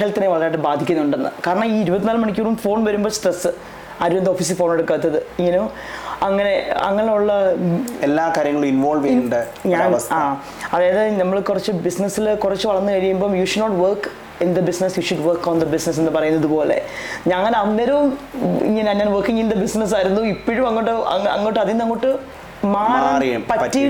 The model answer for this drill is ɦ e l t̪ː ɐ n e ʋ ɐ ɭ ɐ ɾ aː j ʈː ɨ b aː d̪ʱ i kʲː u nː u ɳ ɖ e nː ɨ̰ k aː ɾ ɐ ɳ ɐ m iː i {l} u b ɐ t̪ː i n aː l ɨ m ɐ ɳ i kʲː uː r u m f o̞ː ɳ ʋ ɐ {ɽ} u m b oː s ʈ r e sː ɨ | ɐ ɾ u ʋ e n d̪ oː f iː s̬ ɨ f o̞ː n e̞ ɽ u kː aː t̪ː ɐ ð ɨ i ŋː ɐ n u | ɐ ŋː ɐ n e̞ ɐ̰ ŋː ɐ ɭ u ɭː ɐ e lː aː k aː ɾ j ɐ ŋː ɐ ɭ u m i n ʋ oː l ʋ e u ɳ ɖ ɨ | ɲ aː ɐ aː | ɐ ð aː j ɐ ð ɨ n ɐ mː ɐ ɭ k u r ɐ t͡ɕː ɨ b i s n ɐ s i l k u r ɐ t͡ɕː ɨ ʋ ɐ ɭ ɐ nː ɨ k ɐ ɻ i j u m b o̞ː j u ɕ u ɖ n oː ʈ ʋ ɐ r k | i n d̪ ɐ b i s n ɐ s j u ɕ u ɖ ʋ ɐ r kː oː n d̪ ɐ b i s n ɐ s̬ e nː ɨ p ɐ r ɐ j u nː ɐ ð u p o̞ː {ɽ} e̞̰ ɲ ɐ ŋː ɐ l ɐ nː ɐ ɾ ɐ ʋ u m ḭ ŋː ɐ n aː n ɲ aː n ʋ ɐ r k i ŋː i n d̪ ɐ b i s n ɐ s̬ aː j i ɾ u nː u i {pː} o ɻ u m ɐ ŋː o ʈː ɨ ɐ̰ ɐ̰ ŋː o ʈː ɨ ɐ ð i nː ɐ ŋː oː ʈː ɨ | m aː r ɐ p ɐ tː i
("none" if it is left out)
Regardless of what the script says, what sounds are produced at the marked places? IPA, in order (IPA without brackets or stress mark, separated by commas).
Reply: ɾ, ɾ, l, pː